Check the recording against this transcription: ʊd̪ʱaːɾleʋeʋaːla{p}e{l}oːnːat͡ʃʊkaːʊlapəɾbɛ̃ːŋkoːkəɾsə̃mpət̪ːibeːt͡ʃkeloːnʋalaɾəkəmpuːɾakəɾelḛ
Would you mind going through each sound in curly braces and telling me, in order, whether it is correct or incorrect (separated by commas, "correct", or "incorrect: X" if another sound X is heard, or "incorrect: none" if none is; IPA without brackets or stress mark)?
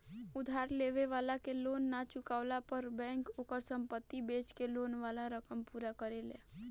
incorrect: k, correct